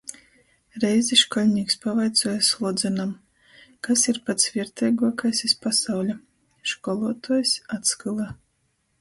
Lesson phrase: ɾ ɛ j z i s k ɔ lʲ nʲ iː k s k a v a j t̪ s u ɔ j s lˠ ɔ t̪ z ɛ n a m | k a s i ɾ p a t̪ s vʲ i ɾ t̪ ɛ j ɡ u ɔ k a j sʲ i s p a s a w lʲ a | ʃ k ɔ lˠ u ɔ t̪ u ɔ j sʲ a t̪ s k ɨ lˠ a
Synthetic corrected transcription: ɾ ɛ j z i ʃ k ɔ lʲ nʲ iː k s p a v a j t̪ s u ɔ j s lˠ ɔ d̪ z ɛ n a m | k a s i ɾ p a t̪ s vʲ i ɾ t̪ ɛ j ɡ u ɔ k a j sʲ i s p a s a w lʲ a | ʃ k ɔ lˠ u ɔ t̪ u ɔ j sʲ a t̪ s k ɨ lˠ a